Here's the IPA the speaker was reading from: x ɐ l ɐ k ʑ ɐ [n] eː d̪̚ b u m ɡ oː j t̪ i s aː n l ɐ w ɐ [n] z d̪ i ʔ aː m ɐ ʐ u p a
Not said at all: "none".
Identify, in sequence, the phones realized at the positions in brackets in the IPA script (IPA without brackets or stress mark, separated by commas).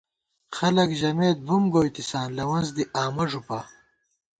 m, n